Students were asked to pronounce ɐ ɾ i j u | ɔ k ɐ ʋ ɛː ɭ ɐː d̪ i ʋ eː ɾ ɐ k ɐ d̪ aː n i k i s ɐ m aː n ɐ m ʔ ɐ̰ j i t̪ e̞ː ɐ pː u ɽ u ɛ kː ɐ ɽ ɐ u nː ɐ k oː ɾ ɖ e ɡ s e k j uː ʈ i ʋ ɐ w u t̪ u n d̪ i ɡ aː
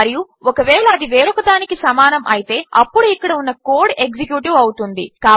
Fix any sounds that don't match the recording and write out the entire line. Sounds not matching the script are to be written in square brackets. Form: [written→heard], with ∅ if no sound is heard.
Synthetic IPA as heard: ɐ ɾ i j u | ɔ k ɐ ʋ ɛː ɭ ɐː d̪ i ʋ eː ɾ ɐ k ɐ d̪ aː n i k i s ɐ m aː n ɐ m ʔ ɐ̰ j i t̪ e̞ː ɐ pː u ɽ u [ɛ→i] kː ɐ ɽ ɐ u nː ɐ k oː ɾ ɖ e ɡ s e k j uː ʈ i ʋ ɐ w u t̪ u n d̪ i [ɡ→k] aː